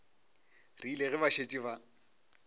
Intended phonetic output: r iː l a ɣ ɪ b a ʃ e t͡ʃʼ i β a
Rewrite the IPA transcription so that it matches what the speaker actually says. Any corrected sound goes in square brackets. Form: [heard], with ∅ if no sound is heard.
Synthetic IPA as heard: r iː l [e] ɣ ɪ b a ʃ e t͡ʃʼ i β a